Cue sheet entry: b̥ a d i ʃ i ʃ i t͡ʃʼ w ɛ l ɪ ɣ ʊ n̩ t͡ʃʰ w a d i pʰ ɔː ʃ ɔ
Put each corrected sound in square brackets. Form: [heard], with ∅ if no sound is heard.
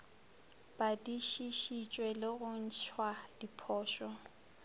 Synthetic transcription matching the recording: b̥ a d i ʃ i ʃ i t͡ʃʼ w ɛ l ɪ ɣ ʊ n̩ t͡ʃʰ w a d i pʰ ɔː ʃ ɔ